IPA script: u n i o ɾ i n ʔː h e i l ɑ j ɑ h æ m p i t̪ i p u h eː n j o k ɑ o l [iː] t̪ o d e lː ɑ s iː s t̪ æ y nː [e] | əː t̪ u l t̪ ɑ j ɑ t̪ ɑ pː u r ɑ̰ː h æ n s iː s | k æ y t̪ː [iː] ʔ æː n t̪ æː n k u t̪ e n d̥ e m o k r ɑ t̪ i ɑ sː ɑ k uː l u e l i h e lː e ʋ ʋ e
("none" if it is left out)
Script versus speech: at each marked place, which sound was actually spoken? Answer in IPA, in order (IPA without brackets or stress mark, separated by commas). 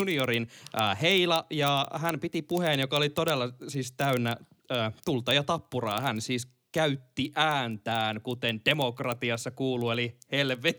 i, æ, i